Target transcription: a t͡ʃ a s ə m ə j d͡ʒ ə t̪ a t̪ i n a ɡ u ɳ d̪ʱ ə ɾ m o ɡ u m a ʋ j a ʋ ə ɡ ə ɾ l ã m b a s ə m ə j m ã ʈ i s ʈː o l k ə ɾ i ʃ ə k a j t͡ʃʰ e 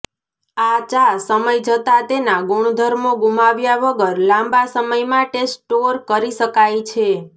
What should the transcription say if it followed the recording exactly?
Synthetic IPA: a t͡ʃ a s ə m ə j d͡ʒ ə t̪ a t̪ e n a ɡ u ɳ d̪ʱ ə ɾ m o ɡ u m a ʋ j a ʋ ə ɡ ə ɾ l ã m b a s ə m ə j m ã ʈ e s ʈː o ɾ k ə ɾ i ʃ ə k a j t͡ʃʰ e